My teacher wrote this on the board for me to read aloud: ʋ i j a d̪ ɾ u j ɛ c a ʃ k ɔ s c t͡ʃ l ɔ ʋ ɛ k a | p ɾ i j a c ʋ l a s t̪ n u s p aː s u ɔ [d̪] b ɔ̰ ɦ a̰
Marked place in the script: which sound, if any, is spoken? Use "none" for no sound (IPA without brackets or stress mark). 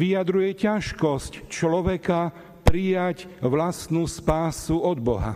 d̪